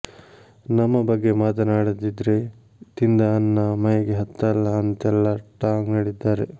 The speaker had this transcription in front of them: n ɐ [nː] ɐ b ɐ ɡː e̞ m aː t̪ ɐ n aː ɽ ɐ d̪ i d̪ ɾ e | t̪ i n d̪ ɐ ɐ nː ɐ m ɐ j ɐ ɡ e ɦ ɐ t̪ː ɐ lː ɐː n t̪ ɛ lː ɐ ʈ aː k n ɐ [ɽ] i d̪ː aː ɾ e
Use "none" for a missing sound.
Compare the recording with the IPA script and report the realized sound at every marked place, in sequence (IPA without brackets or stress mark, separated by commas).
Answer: mː, ɽ